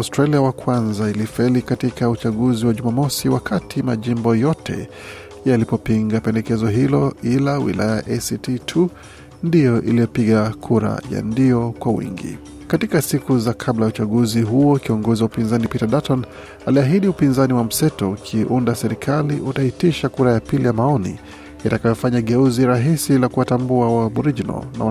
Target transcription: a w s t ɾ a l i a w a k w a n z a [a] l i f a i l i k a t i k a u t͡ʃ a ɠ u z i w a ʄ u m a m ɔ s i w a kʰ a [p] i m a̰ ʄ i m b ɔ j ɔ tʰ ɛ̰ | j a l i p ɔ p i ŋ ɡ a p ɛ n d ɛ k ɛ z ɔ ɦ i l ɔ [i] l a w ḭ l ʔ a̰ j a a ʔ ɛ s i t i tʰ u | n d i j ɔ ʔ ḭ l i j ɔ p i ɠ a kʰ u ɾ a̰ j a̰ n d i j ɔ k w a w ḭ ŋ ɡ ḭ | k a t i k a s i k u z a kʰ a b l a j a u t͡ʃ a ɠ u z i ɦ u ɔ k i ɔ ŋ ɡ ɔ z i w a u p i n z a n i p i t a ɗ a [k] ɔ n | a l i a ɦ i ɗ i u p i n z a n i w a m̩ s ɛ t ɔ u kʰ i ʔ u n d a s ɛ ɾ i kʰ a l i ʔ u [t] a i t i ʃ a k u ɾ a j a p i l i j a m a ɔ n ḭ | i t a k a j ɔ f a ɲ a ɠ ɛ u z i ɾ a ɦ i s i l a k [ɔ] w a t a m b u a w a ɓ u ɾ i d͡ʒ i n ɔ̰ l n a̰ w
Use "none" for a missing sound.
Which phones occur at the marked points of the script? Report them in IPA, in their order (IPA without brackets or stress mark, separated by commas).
i, t, i, t, t, u